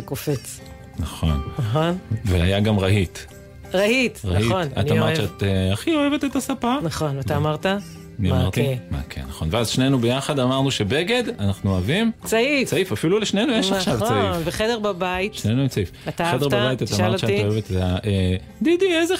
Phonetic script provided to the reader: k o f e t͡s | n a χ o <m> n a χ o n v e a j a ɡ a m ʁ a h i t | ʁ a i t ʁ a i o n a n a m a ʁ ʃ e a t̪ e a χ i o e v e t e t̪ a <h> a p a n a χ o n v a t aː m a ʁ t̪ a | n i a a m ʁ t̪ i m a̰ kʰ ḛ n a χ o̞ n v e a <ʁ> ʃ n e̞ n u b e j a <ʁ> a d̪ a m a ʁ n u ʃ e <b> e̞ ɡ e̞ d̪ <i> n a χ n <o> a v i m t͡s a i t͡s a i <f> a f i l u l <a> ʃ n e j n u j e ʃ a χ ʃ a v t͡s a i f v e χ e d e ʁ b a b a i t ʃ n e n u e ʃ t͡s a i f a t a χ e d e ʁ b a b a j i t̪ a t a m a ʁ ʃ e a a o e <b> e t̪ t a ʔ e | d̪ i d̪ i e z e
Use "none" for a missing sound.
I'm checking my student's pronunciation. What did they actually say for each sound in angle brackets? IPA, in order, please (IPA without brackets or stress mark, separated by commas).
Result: n, s, z, χ, b, a, u, f, e, v